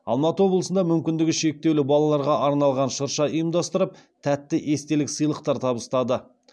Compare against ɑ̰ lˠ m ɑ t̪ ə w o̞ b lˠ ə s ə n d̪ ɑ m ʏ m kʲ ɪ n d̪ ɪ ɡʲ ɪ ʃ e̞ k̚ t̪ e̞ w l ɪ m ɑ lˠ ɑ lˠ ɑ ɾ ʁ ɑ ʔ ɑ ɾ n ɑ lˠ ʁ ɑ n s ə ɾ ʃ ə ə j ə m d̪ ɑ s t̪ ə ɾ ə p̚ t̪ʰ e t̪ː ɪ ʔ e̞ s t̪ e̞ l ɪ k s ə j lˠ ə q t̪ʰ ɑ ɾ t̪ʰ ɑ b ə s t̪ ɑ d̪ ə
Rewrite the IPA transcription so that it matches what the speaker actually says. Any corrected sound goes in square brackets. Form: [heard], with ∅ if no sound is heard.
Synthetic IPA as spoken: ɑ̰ lˠ m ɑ t̪ ə w o̞ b lˠ ə s ə n d̪ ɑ m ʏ m kʲ ɪ n d̪ ɪ ɡʲ ɪ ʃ e̞ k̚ t̪ e̞ w l ɪ [b] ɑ lˠ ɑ lˠ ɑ ɾ ʁ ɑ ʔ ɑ ɾ n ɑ lˠ ʁ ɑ n [ʃ] ə ɾ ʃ [ɑ] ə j ə m d̪ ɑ s t̪ ə ɾ ə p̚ t̪ʰ [æ] t̪ː ɪ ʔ e̞ s t̪ e̞ l ɪ k s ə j lˠ ə q [t̪] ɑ ɾ t̪ʰ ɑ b ə s t̪ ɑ d̪ ə